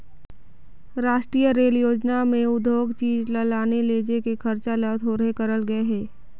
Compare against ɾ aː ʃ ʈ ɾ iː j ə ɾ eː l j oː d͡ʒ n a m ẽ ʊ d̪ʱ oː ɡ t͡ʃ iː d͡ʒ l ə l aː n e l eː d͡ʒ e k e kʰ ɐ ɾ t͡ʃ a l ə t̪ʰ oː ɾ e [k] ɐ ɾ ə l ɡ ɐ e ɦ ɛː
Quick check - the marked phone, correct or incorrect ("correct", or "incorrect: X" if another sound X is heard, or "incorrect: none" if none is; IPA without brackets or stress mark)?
correct